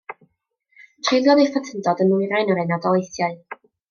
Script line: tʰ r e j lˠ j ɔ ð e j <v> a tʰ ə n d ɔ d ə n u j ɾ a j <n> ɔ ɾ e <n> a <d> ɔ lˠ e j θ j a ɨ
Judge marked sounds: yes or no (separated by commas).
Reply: no, yes, yes, yes